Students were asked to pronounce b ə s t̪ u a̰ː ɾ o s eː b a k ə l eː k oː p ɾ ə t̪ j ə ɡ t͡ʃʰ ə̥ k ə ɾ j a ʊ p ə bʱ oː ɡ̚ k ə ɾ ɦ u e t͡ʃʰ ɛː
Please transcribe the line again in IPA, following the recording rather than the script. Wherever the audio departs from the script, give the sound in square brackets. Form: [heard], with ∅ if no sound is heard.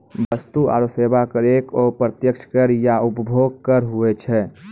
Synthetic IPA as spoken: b ə s t̪ u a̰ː ɾ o s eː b a k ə [ɾ] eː k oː p ɾ ə t̪ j ə [k] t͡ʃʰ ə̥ k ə ɾ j a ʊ p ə bʱ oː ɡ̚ k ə ɾ ɦ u e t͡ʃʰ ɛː